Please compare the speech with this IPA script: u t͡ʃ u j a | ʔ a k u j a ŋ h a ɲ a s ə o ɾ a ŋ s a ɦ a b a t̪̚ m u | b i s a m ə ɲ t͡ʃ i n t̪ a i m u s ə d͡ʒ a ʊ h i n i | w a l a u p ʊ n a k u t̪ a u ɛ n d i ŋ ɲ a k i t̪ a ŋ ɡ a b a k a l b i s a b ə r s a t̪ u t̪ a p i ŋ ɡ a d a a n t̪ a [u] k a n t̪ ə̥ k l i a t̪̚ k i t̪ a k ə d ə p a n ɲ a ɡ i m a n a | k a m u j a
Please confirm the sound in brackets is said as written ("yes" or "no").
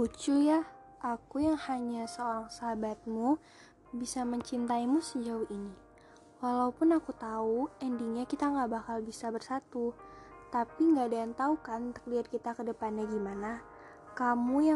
yes